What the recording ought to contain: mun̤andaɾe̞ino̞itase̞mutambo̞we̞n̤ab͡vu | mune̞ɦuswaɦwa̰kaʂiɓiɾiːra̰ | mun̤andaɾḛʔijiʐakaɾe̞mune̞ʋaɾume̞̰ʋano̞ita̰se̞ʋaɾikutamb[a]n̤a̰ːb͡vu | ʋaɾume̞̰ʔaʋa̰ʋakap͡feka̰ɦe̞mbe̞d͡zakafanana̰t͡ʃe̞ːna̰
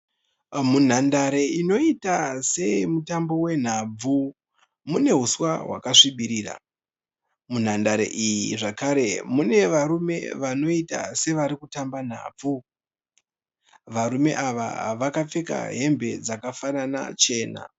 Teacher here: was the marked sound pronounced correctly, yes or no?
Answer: yes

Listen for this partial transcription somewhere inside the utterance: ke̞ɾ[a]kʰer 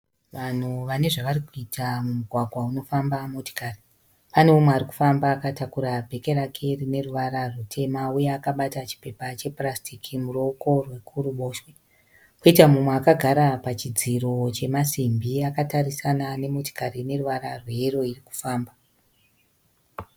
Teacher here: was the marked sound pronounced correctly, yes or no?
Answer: yes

